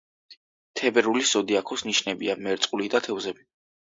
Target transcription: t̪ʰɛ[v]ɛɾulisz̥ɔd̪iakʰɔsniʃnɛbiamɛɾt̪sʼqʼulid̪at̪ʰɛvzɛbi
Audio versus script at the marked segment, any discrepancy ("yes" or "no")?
yes